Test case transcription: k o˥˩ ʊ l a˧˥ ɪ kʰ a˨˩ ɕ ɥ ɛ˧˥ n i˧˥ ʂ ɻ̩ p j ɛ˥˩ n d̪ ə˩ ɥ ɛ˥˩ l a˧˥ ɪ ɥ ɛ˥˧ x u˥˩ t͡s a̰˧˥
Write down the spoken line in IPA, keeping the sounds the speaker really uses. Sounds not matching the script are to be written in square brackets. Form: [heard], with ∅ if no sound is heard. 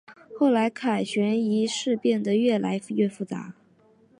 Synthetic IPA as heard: [x] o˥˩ ʊ l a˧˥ ɪ kʰ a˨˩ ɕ ɥ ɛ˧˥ n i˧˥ ʂ ɻ̩ p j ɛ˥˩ n d̪ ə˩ ɥ ɛ˥˩ l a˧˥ ɪ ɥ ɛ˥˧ [f] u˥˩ t͡s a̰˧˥